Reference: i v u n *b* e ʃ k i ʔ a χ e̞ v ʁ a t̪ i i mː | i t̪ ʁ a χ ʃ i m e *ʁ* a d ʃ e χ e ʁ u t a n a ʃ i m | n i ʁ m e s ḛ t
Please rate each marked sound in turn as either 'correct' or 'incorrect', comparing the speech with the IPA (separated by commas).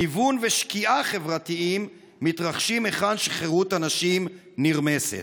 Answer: incorrect, incorrect